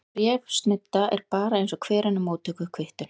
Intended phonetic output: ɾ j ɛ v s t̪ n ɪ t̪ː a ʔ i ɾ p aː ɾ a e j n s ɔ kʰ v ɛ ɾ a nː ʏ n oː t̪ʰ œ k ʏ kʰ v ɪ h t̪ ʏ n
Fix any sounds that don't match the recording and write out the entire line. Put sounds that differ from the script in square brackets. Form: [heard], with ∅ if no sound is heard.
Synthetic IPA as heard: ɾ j ɛ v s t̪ n ɪ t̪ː a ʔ [ɛ] ɾ p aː ɾ a e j n s ɔ kʰ v [ɛː] ɾ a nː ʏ [m] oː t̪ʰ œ k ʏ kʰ v ɪ h t̪ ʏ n